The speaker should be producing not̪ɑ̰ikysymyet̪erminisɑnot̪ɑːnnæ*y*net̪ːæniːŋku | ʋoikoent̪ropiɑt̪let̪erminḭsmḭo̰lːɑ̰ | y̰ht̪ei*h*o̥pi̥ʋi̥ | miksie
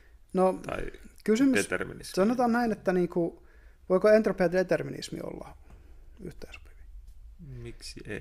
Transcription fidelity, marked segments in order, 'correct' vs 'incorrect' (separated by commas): incorrect, incorrect